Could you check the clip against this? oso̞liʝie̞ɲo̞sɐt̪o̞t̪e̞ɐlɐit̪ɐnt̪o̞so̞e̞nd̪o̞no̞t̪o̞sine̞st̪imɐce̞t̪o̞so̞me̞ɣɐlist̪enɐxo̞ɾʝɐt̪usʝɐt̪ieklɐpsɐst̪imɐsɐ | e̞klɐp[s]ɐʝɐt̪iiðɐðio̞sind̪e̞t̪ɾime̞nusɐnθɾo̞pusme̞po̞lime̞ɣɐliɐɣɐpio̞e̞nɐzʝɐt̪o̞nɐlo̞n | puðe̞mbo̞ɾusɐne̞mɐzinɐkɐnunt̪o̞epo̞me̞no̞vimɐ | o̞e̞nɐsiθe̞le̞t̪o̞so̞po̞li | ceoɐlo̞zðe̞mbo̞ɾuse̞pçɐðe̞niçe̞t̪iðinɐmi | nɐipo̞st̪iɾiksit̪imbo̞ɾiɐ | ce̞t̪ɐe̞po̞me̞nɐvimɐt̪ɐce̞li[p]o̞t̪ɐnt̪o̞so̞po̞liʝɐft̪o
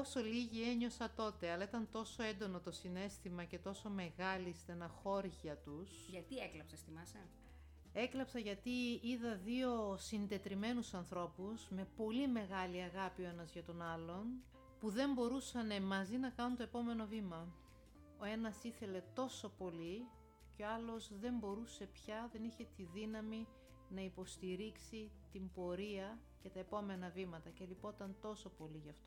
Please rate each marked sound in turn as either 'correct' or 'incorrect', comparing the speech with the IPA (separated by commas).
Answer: correct, correct